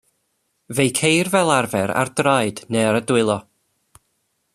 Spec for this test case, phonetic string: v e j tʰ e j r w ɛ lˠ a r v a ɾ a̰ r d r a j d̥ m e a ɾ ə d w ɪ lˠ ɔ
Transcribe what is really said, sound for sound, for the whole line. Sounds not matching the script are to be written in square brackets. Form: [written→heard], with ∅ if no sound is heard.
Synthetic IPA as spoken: v e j [tʰ→kʰ] e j r [w→v] ɛ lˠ a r v [a→ɛ] ɾ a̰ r d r a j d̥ [m→n] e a ɾ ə d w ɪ lˠ ɔ